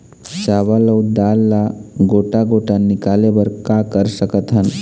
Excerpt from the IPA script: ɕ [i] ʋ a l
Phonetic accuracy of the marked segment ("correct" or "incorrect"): incorrect